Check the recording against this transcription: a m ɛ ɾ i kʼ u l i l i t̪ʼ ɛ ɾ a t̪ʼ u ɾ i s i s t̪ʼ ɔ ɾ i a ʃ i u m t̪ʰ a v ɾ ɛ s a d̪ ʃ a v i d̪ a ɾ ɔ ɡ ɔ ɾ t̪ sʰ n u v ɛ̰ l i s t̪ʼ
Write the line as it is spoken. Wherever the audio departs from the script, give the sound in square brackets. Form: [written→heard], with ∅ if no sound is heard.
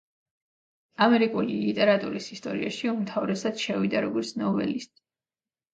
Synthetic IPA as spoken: a m ɛ ɾ i kʼ u l i l i t̪ʼ ɛ ɾ a t̪ʼ u ɾ i s i s t̪ʼ ɔ ɾ i a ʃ i u m t̪ʰ a v ɾ ɛ s a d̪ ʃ [a→ɛ] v i d̪ a ɾ ɔ ɡ ɔ ɾ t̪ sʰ n [u→ɔ] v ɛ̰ l i s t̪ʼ